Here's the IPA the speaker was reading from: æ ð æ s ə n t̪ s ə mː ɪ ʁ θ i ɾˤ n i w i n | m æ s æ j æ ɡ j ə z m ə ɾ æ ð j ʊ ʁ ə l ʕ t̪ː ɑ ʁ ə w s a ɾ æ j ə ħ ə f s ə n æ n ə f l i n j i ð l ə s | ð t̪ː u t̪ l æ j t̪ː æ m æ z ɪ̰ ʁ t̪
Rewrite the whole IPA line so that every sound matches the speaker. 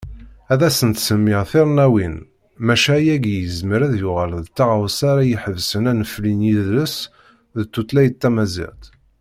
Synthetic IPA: æ ð æ s ə n t̪ s ə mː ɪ ʁ θ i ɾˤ n æ w i n | m æ ʃ æ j æ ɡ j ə z m ə ɾ æ ð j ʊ ʁ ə l ð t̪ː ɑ ʁ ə w s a ɾ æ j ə ħ ə v s ə n æ n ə f l i n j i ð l ə s | ð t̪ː u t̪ l æ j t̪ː æ m æ z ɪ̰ ʁ t̪

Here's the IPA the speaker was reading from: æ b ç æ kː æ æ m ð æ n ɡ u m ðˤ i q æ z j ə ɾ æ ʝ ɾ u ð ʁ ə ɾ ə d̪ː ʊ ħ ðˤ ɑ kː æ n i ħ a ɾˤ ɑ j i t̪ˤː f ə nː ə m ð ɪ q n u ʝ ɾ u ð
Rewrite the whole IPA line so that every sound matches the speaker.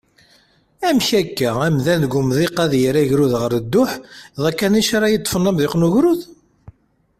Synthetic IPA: æ m ç æ kː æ æ m ð æ n ɡ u m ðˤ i q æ ð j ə ɾ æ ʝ ɾ u ð ʁ ə ɾ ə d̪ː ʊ ħ ðˤ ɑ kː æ n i ʃ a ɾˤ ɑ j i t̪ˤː f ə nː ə m ð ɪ q n u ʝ ɾ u ð

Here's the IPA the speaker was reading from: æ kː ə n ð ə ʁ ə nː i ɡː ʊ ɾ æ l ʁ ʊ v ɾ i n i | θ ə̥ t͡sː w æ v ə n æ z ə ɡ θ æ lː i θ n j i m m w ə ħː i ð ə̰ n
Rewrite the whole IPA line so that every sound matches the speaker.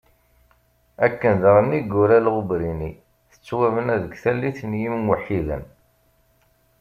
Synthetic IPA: æ kː ə n ð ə ʁ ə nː i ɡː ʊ ɾ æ l ʁ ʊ b ɾ i n i | θ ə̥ t͡sː w æ v ə n æ ð ə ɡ θ æ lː i θ n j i m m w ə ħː i ð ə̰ n

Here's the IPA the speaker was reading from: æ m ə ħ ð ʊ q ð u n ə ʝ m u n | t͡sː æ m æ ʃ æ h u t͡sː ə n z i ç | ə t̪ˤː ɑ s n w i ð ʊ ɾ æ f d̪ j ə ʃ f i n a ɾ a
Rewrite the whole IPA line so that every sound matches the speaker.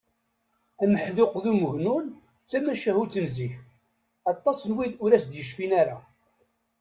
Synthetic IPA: æ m ə ħ ð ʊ q ð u m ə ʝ n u n | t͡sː æ m æ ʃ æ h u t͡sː ə n z i ç | ɑ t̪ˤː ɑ s n w i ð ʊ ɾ æ s d̪ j ə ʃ f i n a ɾ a

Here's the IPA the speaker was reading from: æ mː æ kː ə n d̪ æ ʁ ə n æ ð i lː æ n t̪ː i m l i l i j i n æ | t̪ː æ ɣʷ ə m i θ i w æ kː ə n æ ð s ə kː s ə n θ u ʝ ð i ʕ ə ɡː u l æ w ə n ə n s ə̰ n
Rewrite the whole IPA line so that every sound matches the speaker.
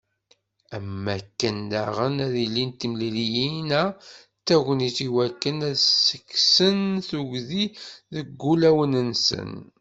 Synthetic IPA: æ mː æ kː ə n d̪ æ ʁ ə n æ ð i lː i n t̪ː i m l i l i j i n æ | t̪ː æ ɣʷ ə n i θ i w æ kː ə n æ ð s ə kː s ə n θ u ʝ ð i ð ə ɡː u l æ w ə n ə n s ə̰ n

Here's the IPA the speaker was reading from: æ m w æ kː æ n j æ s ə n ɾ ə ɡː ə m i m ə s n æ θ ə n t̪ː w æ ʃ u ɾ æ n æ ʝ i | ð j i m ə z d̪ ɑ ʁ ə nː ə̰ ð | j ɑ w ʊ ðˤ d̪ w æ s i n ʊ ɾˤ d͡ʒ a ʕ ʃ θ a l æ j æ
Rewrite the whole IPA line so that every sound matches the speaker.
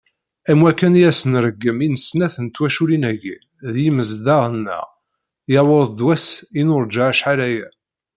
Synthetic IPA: æ m w æ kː æ n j æ s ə n ɾ ə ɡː ə m i n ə s n æ θ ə n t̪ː w æ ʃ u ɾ i n æ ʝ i | ð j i m ə z d̪ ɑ ʁ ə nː ə̰ ʁ | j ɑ w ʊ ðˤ d̪ w æ s i n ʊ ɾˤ d͡ʒ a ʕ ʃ ħ a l æ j æ

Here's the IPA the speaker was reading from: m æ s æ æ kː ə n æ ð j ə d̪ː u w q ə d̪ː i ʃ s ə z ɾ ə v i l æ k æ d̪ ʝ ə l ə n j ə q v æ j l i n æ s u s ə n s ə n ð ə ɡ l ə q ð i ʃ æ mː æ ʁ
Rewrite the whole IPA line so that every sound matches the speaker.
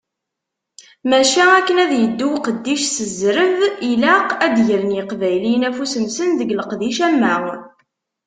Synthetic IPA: m æ ʃ æ æ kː ə n æ ð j ə d̪ː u w q ə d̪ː i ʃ s ə z ɾ ə v i l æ q æ d̪ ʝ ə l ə n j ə q v æ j l i n æ f u s ə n s ə n ð ə ɡ l ə q ð i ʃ æ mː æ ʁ

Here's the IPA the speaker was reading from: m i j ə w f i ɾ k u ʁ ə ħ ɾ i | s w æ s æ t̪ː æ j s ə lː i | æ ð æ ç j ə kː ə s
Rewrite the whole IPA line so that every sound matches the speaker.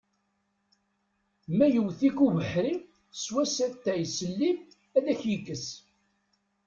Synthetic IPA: m æ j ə w θ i k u v ə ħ ɾ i | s w æ s æ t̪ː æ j s ə lː i | æ ð æ ç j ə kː ə s

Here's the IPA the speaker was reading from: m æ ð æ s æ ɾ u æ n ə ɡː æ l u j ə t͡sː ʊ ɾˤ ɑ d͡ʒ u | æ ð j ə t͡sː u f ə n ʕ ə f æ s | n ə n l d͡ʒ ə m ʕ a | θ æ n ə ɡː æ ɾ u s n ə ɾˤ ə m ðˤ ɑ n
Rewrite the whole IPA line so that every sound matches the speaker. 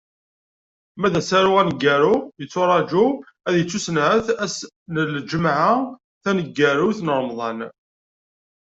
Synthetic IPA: m æ ð æ s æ ɾ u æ n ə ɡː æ ɾ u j ə t͡sː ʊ ɾˤ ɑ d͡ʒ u | æ ð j ə t͡sː u s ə n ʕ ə θ æ s | n ə l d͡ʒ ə m ʕ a | θ æ n ə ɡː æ ɾ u θ n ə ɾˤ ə m ðˤ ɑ n

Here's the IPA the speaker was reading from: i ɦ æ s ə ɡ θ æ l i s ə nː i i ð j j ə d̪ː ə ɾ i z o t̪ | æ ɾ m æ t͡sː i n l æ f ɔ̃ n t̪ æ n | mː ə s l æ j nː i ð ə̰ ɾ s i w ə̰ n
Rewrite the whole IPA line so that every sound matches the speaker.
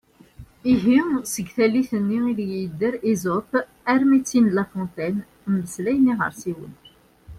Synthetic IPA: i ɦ i s ə ɡ θ æ l i θ ə nː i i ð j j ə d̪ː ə ɾ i z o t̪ | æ ɾ m i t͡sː i n l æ f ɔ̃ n t̪ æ n | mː ə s l æ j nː i ʁ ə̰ ɾ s i w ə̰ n

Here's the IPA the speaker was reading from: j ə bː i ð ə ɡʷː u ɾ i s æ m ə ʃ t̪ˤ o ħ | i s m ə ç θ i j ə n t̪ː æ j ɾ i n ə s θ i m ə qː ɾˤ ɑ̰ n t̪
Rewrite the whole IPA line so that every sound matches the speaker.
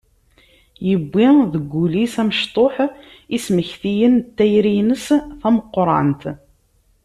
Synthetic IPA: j ə bː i ð ə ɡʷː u l i s æ m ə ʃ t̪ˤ o ħ | i s m ə ç θ i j ə n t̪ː æ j ɾ i n ə s θ æ m ə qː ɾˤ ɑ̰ n t̪

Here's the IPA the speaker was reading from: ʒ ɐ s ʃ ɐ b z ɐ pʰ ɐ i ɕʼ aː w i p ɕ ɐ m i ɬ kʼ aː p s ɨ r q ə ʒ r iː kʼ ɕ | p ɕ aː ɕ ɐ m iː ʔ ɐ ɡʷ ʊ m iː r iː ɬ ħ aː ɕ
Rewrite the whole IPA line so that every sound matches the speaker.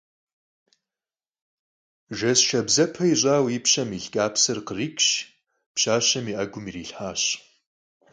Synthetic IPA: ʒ ɐ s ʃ ɐ b z ɐ pʰ ɐ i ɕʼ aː w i p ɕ ɐ m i ɬ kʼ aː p s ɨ r q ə r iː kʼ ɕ | p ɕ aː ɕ ɐ m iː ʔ ɐ ɡʷ ʊ m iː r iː ɬ ħ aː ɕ

